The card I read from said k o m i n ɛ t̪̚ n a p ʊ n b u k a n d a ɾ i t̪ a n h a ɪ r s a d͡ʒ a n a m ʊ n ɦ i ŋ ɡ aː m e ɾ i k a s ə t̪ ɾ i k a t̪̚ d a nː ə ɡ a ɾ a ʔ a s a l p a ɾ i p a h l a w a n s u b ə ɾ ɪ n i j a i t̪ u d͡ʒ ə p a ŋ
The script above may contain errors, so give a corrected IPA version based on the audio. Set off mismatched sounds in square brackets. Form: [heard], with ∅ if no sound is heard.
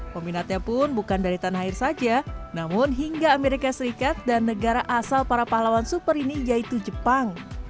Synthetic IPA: k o m i n [a] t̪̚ [ɲ] a p ʊ n b u k a n d a ɾ i t̪ a n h a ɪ r s a d͡ʒ a n a m ʊ n ɦ i ŋ ɡ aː m e ɾ i k a s ə [∅] ɾ i k a t̪̚ d a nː ə ɡ a ɾ a ʔ a s a l p a ɾ [a] p a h l a w a n s u [p] ə ɾ [i] n i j a i t̪ u d͡ʒ ə p a ŋ